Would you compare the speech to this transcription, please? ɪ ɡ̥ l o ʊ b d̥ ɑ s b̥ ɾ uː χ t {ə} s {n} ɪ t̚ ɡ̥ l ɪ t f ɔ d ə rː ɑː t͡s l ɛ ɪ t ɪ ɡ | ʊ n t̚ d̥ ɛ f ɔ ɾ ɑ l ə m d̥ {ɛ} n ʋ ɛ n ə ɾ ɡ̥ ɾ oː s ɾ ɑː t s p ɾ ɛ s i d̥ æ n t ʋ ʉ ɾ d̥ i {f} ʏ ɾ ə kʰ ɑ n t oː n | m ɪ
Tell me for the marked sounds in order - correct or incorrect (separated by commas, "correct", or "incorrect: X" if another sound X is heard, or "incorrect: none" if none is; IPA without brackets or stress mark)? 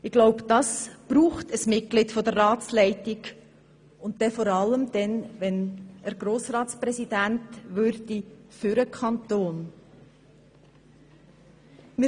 correct, incorrect: m, correct, correct